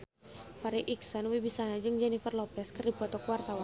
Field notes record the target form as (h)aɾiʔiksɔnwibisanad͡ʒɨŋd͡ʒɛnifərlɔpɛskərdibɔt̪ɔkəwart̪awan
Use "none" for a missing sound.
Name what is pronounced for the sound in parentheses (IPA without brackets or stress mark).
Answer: f